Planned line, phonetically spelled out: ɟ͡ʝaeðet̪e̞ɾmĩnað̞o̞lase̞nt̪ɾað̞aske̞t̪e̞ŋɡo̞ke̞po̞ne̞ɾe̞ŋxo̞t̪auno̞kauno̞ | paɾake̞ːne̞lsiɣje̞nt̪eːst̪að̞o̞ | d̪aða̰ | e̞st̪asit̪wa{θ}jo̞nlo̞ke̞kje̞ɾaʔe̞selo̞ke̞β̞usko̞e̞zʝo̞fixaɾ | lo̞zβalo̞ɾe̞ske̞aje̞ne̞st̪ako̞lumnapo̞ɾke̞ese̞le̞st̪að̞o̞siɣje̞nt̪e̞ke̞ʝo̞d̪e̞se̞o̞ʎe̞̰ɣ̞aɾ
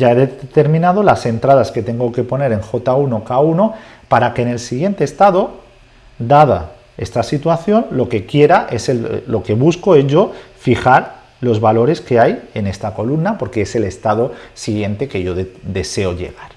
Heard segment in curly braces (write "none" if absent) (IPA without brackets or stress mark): θ